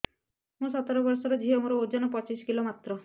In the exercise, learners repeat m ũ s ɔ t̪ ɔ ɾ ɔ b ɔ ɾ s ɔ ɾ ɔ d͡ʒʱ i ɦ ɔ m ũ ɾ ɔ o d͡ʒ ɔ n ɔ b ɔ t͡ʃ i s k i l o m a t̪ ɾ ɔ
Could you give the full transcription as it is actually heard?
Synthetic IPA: m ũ s ɔ t̪ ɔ ɾ ɔ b ɔ ɾ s ɔ ɾ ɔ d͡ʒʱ i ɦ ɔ m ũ ɾ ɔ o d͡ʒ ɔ n ɔ p ɔ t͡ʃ i s k i l o m a t̪ ɾ ɔ